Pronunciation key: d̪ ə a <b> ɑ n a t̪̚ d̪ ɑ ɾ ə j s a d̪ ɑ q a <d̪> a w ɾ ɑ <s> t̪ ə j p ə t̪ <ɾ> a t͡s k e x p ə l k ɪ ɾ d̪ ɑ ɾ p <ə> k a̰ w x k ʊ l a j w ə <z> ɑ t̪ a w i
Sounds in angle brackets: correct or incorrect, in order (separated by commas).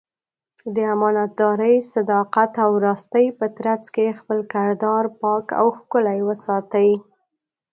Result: incorrect, incorrect, correct, correct, incorrect, incorrect